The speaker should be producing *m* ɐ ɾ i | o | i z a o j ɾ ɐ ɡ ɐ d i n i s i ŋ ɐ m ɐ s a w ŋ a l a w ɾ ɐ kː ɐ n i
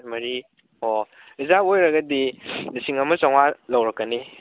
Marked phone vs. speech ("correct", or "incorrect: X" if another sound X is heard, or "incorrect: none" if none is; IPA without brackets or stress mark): correct